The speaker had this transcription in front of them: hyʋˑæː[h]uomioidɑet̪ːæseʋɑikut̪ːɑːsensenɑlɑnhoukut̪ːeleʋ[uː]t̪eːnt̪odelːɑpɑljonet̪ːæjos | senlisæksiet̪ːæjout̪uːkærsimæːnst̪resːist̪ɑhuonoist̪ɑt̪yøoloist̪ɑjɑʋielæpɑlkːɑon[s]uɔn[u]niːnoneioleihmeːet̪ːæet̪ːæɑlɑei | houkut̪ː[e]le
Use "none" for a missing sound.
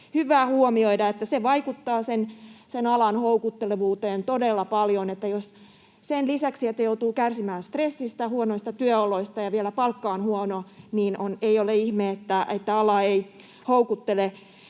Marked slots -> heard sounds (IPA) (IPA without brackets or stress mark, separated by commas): h, uː, h, o, e